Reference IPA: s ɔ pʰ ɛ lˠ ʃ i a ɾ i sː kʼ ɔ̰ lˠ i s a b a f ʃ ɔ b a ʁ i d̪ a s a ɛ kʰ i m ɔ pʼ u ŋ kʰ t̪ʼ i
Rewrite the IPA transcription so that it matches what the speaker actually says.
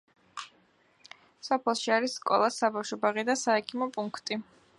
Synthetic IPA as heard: s ɔ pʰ ɛ lˠ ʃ i a ɾ i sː kʼ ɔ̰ lˠ a s a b a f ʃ ɔ b a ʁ i d̪ a s a ɛ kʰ i m ɔ pʼ u ŋ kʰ t̪ʼ i